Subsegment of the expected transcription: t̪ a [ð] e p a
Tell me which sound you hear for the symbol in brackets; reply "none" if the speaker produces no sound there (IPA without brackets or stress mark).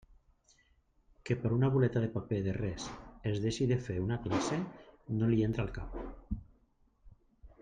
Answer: ð